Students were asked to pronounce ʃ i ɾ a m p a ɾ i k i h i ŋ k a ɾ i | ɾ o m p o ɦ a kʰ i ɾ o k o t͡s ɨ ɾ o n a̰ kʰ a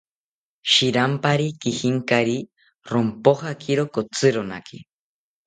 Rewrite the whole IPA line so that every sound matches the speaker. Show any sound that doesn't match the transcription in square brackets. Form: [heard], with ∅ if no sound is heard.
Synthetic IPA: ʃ i ɾ a m p a ɾ i k i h i ŋ k a ɾ i | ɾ o m p o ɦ a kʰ i ɾ o k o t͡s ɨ ɾ o n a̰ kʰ [i]